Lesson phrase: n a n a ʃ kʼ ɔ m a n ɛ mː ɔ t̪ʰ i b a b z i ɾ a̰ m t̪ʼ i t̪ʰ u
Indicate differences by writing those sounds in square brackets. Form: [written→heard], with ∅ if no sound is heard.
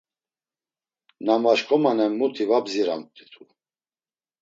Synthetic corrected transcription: n a [n→m] a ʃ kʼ ɔ m a n ɛ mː [ɔ→u] t̪ʰ i [b→v] a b z i ɾ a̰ m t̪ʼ i t̪ʰ u